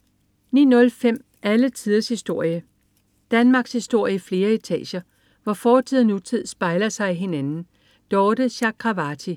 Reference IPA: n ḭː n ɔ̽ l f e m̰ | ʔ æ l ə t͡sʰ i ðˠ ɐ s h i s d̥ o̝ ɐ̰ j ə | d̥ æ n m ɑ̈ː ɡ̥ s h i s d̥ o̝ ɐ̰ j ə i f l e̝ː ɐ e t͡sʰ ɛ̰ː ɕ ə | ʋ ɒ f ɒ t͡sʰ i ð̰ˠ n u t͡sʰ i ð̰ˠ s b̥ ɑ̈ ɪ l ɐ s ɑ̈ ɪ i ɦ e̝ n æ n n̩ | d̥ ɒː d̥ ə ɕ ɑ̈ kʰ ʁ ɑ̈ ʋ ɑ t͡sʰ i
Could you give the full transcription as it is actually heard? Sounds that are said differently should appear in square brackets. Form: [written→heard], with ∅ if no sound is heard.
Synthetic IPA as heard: n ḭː n ɔ̽ l f e m̰ | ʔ æ l ə t͡sʰ i ðˠ ɐ s h i s d̥ o̝ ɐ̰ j ə | d̥ æ n m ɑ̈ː ɡ̥ s h i s d̥ o̝ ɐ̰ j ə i f l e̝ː ɐ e t͡sʰ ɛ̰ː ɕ [ə→ɐ] | ʋ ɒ f [ɒ→ɒː] t͡sʰ i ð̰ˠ n u t͡sʰ i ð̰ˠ s b̥ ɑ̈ ɪ l ɐ s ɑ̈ ɪ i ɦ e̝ n æ n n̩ | d̥ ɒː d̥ ə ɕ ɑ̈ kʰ ʁ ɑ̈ ʋ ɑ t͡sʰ i